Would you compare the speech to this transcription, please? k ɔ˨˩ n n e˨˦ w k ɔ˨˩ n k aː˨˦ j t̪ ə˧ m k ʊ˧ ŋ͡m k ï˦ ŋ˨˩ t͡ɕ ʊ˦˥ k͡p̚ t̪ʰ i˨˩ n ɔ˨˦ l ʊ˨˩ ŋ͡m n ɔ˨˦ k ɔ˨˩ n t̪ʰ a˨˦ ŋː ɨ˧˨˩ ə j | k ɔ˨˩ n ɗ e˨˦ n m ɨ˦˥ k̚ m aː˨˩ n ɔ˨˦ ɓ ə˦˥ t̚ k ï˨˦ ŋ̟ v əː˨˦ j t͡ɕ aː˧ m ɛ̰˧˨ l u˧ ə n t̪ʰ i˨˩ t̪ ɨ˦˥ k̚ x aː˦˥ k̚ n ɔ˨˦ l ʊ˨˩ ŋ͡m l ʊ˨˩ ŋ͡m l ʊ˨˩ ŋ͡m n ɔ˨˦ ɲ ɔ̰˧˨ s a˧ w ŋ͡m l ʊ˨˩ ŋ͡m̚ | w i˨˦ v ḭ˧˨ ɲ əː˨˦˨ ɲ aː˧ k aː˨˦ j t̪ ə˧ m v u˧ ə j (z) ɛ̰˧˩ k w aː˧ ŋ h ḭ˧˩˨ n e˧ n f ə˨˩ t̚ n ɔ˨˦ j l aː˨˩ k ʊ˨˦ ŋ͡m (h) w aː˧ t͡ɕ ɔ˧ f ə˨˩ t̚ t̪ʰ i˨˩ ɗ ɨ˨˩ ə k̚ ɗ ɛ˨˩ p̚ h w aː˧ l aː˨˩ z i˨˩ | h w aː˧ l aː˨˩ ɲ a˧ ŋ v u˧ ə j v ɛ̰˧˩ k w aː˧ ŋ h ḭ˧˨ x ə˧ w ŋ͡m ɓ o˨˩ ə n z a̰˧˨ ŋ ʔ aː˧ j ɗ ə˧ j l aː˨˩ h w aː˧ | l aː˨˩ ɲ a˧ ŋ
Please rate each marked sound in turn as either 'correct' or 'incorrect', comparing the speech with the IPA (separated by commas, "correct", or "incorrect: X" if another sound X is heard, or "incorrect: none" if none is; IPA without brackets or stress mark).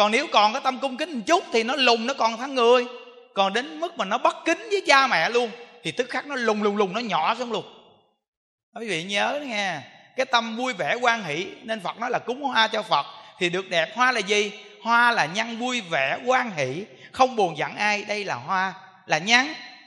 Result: incorrect: v, correct